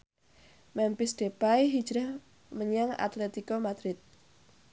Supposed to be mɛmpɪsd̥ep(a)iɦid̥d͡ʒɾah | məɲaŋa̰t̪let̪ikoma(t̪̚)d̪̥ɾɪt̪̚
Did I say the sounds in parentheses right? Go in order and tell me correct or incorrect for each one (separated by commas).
correct, incorrect